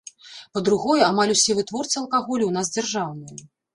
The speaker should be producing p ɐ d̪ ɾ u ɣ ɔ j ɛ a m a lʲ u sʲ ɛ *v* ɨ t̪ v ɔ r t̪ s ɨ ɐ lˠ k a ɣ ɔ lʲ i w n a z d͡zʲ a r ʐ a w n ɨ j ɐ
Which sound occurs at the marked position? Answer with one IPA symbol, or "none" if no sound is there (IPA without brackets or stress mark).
v